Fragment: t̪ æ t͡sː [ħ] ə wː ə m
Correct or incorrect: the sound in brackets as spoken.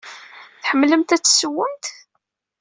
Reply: incorrect: s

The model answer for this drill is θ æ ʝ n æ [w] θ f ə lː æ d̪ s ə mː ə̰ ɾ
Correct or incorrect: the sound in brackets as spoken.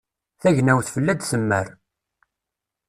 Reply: correct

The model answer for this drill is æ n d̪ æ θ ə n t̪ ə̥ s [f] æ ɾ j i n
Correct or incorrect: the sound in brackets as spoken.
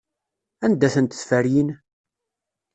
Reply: correct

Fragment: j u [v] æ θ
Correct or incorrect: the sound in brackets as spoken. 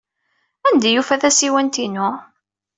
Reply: incorrect: f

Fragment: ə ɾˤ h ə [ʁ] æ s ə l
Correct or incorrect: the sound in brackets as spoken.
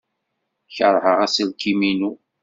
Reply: correct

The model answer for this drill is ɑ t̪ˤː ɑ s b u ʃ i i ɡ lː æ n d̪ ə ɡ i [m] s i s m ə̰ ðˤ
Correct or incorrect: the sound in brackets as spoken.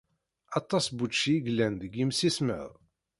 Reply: correct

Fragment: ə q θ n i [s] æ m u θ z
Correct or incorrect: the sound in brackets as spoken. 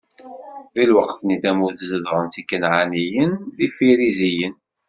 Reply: incorrect: θ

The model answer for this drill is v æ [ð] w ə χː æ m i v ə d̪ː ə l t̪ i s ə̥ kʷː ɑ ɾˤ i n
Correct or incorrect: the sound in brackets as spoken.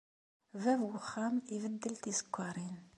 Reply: incorrect: v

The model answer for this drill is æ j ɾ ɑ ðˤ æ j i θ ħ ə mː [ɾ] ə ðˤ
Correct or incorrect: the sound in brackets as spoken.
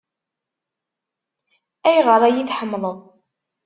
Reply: incorrect: l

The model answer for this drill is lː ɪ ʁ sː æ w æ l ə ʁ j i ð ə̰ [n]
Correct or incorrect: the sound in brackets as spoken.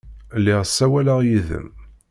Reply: incorrect: m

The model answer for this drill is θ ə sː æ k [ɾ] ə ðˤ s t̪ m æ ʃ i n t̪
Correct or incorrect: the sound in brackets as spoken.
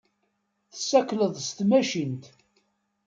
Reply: incorrect: l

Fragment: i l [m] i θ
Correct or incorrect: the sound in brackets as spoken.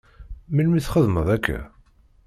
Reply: correct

